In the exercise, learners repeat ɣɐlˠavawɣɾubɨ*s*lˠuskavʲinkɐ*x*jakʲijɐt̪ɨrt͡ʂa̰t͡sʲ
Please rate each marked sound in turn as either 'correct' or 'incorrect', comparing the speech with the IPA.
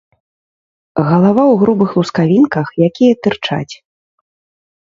incorrect: x, correct

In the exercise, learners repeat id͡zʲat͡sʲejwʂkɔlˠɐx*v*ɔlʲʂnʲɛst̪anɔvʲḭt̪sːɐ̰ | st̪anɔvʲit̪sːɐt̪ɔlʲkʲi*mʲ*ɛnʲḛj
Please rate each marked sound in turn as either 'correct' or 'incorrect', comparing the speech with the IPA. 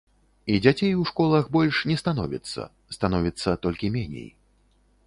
incorrect: b, correct

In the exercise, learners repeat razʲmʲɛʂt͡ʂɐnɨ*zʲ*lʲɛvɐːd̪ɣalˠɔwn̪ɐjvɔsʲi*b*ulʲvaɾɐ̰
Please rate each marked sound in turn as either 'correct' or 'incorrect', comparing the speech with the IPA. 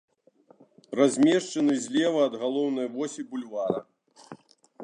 correct, correct

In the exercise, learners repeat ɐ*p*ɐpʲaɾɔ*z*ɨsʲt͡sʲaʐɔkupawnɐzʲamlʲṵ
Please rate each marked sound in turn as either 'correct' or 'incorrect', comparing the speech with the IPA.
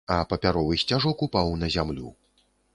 correct, incorrect: v

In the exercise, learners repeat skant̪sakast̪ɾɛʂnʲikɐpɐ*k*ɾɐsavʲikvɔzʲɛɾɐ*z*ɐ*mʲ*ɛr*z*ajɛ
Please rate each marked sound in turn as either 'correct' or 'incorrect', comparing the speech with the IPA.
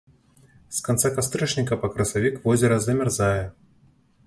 correct, correct, correct, correct

